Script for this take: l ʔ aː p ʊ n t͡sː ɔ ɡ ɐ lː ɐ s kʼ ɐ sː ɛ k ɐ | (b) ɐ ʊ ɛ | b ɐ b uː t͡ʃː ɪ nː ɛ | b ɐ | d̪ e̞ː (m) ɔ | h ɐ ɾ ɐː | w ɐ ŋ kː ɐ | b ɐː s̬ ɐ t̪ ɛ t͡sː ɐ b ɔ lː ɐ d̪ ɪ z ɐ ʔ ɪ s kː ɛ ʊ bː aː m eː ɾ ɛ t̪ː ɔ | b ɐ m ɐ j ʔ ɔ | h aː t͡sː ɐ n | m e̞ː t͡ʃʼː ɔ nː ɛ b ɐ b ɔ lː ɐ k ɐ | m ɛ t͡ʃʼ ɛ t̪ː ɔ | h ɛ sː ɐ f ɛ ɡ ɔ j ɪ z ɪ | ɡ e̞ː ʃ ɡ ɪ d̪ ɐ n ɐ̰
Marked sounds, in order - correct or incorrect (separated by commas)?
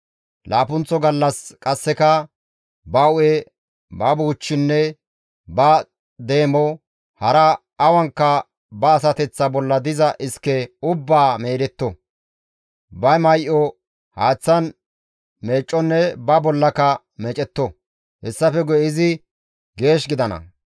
correct, correct